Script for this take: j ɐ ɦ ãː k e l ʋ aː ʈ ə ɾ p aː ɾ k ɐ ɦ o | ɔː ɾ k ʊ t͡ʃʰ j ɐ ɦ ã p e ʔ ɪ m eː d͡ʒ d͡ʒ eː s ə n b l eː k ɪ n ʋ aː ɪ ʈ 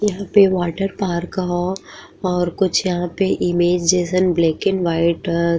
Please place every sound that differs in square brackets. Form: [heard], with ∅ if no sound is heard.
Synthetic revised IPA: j ɐ ɦ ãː [p] e [∅] ʋ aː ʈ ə ɾ p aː ɾ k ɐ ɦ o | ɔː ɾ k ʊ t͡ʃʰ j ɐ ɦ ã p e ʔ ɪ m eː d͡ʒ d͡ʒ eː s ə n b l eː k ɪ n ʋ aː ɪ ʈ